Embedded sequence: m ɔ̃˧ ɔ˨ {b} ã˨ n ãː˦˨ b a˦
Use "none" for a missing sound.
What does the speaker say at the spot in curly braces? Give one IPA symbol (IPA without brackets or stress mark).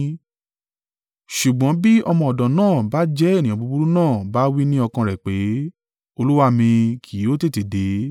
d